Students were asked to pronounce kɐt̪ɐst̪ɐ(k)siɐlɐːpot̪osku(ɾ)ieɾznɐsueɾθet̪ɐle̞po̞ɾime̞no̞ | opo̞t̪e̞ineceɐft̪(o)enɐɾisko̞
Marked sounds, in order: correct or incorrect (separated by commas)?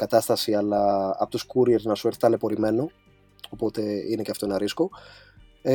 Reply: incorrect, correct, correct